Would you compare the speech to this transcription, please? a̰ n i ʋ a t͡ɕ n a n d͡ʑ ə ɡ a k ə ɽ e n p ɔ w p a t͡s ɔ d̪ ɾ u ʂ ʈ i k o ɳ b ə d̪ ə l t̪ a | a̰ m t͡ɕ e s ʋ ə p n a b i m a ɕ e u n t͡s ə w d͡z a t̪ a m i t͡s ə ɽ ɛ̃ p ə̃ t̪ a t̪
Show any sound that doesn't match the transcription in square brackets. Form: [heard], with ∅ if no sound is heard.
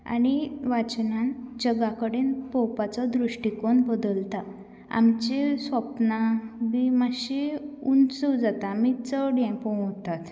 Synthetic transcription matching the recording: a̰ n i ʋ a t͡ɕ n a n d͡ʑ ə ɡ a k ə ɽ e n p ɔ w p a t͡s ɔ d̪ ɾ u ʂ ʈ i k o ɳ b ə d̪ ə l t̪ a | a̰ m t͡ɕ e s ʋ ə p n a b i m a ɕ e u n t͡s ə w d͡z a t̪ a m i t͡s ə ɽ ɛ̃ p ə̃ t̪ a t̪